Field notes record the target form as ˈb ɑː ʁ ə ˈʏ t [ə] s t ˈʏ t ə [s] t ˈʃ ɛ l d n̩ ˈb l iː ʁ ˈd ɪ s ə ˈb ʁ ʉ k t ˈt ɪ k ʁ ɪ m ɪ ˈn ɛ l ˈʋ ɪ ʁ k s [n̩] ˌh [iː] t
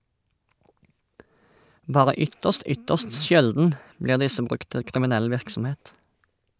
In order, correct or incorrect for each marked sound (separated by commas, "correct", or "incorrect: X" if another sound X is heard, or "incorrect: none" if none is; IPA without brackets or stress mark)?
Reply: correct, correct, incorrect: m̩, incorrect: eː